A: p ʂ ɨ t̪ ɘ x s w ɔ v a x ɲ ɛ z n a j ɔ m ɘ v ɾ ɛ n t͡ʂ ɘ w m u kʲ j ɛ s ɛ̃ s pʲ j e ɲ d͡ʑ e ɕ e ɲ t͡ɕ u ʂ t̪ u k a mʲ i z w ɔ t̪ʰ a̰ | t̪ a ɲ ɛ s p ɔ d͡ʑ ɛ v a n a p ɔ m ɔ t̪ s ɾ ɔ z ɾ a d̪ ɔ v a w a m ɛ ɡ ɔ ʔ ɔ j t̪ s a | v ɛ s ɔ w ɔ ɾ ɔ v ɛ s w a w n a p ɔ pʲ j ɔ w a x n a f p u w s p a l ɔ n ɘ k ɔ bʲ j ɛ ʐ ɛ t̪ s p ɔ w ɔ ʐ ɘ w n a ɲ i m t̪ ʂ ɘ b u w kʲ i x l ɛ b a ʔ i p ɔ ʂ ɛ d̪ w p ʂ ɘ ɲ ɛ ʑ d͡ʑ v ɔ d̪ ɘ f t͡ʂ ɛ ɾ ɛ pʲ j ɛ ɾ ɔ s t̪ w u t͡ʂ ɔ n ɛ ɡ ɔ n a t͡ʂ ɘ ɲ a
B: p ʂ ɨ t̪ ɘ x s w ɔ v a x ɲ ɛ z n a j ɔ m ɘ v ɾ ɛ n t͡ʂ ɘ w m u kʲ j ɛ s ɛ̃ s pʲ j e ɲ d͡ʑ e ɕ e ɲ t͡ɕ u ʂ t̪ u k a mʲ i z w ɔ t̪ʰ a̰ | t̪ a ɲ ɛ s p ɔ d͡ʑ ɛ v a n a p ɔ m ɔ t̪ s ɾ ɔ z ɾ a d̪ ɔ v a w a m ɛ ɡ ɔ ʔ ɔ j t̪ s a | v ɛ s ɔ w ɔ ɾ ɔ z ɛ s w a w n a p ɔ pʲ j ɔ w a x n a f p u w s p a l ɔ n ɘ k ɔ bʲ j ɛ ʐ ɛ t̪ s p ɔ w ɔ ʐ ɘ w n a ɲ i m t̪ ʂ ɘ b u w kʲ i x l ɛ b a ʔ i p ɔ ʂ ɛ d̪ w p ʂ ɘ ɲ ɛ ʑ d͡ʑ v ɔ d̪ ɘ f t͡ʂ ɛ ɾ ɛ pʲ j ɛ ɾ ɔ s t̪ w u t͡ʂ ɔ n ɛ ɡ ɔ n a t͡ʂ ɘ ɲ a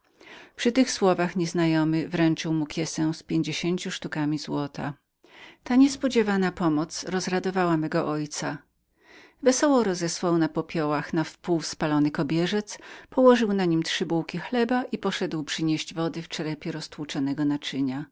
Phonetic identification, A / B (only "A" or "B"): B